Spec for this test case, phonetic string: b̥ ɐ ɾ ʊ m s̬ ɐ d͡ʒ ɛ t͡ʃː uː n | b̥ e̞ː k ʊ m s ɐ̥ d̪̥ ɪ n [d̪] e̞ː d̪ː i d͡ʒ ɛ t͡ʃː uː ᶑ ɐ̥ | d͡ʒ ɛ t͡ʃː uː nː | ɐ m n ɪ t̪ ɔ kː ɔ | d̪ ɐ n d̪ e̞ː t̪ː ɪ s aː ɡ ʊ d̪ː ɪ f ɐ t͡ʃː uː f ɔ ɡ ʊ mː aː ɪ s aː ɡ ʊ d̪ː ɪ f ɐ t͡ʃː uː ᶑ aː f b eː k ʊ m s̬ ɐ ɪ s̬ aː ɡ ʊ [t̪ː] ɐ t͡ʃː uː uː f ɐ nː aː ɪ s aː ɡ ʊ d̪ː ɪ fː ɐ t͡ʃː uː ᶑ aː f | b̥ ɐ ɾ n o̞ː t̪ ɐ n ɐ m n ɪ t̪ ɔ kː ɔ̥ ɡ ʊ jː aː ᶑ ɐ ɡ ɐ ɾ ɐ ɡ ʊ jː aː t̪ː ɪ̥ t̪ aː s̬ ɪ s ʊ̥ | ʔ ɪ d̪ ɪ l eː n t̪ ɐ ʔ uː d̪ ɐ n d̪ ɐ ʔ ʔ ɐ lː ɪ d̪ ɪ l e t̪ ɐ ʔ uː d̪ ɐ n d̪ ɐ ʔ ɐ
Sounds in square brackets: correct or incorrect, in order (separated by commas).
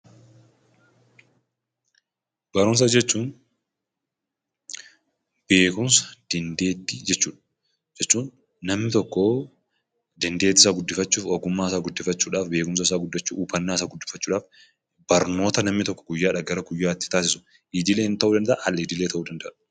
correct, incorrect